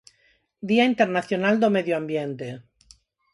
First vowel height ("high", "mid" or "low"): high